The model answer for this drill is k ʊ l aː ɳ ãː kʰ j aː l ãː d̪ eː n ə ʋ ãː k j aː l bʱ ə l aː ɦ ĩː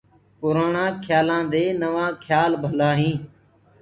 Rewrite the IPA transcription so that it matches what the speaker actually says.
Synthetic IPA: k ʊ ɾ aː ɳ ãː kʰ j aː l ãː d̪ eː n ə ʋ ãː kʰ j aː l bʱ ə l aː ɦ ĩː

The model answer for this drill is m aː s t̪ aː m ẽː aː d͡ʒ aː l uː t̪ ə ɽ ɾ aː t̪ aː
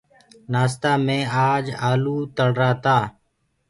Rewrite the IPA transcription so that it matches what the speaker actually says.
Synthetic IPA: n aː s t̪ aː m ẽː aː d͡ʒ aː l uː t̪ ə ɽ ɾ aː t̪ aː

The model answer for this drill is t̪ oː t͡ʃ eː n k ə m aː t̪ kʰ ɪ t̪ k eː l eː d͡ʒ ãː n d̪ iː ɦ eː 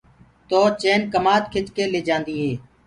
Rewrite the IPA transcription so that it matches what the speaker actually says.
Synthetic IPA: t̪ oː t͡ʃ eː n k ə m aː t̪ kʰ ɪ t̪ k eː l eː d͡ʒ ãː n d̪ iː ɦ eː

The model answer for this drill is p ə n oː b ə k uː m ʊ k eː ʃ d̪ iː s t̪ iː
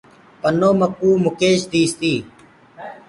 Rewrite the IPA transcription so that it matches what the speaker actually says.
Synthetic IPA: p ə n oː m ə k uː m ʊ k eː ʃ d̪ iː s t̪ iː

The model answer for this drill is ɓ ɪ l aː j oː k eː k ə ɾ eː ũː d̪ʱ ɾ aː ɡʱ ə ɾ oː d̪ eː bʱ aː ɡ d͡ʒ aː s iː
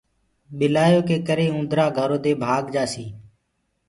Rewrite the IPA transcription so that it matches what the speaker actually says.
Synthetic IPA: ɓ ɪ l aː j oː k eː k ə ɾ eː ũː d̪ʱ ɾ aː ɡʱ ə ɾ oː d̪ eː bʱ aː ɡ d͡ʒ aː s iː

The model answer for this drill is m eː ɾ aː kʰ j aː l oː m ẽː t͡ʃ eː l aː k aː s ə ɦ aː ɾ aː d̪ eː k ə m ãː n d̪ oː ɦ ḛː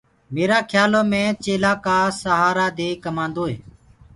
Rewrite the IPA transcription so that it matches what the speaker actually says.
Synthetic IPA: m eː ɾ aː kʰ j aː l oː m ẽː t͡ʃ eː l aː k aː s ə ɦ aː ɾ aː d̪ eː k ə m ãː n d̪ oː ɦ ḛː

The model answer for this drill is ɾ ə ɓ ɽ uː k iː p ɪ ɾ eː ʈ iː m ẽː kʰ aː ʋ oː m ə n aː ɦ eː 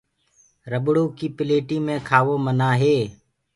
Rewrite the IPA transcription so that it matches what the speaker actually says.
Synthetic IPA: ɾ ə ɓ ɽ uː k iː p ɪ l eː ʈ iː m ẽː kʰ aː ʋ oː m ə n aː ɦ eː

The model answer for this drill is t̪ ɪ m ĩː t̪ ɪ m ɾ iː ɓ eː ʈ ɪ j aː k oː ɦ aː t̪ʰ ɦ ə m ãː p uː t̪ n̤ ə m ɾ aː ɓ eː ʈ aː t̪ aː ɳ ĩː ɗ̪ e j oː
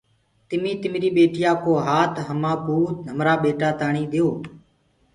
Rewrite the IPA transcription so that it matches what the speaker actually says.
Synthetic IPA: t̪ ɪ m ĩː t̪ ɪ m ɾ iː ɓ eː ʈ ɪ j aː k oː ɦ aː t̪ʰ ɦ ə m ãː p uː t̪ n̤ ə m ɾ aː ɓ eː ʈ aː t̪ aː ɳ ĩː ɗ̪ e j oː

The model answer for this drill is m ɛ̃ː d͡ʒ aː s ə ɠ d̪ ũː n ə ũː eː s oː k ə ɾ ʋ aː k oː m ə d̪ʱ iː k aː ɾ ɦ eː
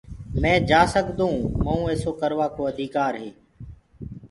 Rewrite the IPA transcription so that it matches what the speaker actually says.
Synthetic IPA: m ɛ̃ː d͡ʒ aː s ə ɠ d̪ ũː m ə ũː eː s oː k ə ɾ ʋ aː k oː ə d̪ʱ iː k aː ɾ ɦ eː

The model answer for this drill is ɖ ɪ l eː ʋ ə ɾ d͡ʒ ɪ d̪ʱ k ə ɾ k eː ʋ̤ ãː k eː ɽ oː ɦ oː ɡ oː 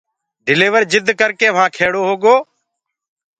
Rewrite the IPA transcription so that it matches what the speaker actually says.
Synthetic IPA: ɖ ɪ l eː ʋ ə ɾ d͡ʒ ɪ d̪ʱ k ə ɾ k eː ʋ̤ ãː kʰ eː ɽ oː ɦ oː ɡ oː

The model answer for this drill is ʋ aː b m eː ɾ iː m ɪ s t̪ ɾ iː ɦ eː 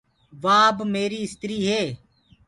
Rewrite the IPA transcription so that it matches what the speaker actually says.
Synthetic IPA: ʋ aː b m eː ɾ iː ɪ s t̪ ɾ iː ɦ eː

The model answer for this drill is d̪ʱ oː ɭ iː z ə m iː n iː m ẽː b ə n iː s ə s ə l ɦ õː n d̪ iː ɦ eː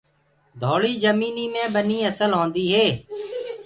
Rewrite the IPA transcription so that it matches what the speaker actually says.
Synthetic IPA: d̪ʱ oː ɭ iː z ə m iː n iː m ẽː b ə n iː ə s ə l ɦ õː n d̪ iː ɦ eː

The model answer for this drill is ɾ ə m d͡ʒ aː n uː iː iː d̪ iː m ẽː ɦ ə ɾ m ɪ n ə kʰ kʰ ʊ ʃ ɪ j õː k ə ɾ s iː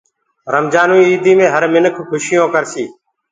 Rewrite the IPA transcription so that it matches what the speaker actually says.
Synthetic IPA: ɾ ə m d͡ʒ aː n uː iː iː d̪ iː m ẽː ɦ ə ɾ m ɪ n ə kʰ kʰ ʊ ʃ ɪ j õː k ə ɾ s iː

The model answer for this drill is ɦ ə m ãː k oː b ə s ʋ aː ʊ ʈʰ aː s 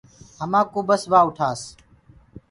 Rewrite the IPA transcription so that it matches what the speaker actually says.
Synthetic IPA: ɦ ə m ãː k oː b ə s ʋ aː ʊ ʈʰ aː s

